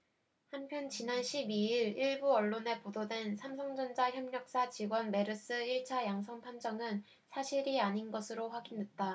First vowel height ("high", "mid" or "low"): low